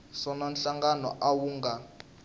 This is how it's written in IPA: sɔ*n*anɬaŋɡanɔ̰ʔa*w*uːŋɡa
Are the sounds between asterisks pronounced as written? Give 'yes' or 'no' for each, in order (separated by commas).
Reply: yes, yes